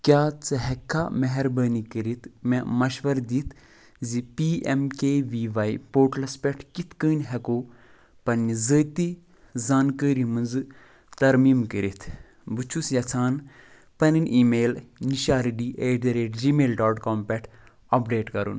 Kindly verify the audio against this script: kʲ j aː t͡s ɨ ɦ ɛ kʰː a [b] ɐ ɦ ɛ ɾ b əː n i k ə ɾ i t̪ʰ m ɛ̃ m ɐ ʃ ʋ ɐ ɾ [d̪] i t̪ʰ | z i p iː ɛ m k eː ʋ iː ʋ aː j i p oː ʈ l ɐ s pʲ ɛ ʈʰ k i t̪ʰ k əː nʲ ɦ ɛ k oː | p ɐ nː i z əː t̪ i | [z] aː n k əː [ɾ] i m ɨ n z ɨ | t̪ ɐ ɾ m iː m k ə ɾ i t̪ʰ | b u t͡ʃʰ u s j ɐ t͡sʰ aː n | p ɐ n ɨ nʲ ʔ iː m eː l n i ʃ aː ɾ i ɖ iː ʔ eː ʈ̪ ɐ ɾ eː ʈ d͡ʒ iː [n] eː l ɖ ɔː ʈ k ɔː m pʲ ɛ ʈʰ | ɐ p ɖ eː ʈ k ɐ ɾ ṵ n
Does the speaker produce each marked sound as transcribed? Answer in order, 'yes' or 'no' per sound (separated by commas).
no, yes, yes, yes, no